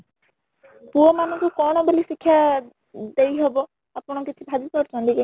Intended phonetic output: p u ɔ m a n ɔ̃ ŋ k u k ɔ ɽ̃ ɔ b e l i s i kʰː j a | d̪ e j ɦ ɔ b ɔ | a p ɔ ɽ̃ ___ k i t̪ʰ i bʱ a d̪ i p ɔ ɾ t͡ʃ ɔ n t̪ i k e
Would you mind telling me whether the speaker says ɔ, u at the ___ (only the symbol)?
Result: ɔ